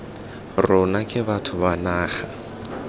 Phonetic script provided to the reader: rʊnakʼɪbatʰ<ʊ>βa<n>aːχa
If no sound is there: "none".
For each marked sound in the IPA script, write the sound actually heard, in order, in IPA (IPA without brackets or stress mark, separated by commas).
ʊ, n